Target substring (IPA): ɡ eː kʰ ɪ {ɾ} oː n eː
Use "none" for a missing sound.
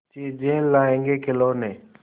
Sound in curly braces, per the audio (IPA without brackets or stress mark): l